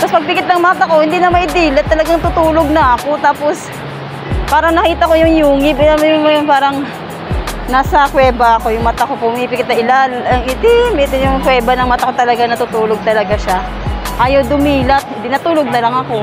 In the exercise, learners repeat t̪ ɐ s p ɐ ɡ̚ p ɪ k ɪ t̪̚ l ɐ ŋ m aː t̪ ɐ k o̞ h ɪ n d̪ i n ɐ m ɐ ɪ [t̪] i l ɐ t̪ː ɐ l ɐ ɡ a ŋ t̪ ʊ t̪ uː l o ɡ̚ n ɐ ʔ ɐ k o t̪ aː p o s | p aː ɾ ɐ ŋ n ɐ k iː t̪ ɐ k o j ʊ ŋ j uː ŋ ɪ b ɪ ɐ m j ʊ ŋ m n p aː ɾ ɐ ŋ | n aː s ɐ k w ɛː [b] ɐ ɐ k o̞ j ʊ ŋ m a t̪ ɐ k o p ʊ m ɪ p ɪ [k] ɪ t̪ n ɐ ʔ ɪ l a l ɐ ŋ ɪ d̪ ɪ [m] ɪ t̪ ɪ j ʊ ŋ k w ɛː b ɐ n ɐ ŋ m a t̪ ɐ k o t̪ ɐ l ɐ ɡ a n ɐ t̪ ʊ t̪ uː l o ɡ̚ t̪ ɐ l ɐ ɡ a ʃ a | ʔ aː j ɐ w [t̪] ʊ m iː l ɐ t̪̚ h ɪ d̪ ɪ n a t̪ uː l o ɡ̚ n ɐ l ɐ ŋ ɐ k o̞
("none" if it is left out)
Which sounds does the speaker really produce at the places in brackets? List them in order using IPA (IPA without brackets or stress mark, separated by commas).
d̪, b, k, m, d̪